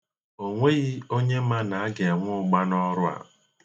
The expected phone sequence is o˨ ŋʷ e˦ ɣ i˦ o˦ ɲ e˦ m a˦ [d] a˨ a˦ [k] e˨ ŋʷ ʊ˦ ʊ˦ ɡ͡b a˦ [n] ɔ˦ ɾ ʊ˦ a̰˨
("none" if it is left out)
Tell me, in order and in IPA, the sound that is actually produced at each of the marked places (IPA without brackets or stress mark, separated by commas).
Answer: n, ɡ, n